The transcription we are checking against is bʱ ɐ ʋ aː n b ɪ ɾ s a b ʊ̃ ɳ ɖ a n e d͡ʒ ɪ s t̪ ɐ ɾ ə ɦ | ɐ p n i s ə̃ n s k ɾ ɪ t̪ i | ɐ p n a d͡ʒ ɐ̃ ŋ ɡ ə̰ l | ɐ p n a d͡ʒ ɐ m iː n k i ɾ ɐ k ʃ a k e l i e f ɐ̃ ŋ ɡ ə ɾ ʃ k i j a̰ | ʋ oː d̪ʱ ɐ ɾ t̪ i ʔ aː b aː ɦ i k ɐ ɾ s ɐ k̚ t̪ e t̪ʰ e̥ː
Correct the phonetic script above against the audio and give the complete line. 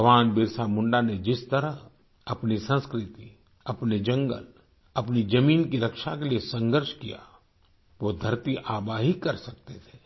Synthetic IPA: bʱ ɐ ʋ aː n b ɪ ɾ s a m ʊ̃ ɳ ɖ a n e d͡ʒ ɪ s t̪ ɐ ɾ ə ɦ | ɐ p n i s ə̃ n s k ɾ ɪ t̪ i | ɐ p n e d͡ʒ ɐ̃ ŋ ɡ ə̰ l | ɐ p n i d͡ʒ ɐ m iː n k i ɾ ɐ k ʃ a k e l i e s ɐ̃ ŋ ɡ ə ɾ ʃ k i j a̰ | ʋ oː d̪ʱ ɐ ɾ t̪ i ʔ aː b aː ɦ i k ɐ ɾ s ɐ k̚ t̪ e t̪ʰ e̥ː